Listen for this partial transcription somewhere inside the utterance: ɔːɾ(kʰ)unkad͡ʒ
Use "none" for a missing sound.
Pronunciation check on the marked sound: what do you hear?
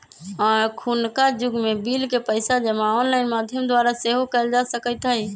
kʰ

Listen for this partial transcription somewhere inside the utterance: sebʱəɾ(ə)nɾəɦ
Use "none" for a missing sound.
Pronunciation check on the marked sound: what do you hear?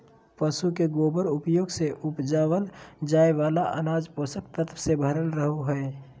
ə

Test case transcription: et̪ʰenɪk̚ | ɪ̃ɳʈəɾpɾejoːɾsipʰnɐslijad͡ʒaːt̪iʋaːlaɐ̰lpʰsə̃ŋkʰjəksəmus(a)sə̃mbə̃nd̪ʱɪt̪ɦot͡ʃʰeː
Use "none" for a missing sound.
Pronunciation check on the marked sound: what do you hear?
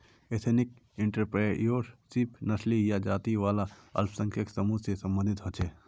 e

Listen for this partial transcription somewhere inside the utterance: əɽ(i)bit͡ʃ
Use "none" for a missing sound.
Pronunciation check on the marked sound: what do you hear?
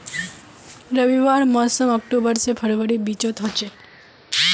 i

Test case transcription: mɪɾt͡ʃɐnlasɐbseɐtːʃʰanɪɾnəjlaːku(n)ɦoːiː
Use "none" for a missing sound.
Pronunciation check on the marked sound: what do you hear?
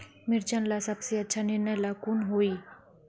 n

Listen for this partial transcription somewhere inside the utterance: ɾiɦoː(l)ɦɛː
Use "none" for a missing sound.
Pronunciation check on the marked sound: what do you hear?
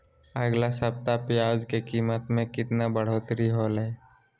l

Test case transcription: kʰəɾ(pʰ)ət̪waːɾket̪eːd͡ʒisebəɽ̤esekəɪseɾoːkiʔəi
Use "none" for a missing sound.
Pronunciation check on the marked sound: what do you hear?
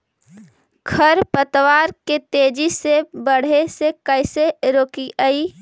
p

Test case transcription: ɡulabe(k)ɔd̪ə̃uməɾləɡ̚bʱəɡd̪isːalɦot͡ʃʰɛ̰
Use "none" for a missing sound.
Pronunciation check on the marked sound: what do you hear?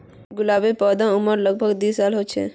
p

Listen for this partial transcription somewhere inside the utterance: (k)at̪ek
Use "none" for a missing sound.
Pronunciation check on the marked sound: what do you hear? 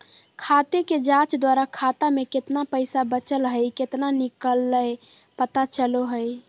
kʰ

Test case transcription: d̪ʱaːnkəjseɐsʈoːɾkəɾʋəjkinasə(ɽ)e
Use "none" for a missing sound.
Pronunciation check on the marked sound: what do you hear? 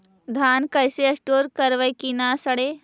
ɽ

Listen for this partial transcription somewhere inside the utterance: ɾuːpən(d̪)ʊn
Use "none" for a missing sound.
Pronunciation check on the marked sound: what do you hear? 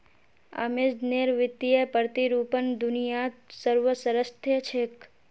d̪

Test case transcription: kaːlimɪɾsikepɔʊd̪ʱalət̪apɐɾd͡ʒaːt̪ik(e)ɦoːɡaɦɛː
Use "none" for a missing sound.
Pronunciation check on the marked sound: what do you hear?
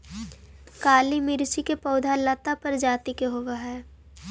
e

